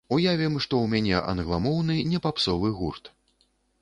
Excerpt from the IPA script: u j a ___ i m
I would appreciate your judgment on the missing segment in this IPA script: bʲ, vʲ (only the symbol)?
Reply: vʲ